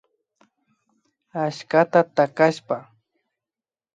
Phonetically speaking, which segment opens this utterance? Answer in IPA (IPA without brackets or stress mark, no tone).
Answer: a